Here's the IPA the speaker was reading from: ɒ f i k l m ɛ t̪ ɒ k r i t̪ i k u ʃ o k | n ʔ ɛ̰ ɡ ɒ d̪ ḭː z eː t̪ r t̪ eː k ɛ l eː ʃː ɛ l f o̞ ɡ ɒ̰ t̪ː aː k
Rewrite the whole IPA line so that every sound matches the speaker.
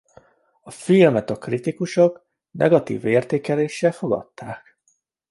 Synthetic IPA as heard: ɒ f i l m ɛ t̪ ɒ k r i t̪ i k u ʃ o k | n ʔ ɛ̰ ɡ ɒ t̪ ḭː v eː r t̪ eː k ɛ l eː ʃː ɛ l f o̞ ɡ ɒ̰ t̪ː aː k